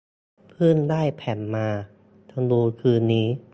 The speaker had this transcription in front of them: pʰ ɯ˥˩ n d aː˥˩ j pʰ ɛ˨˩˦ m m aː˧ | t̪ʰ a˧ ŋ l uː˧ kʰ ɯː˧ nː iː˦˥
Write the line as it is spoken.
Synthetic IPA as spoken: pʰ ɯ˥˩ n d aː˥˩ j pʰ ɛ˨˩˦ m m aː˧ | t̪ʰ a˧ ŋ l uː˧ kʰ ɯː˧ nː iː˦˥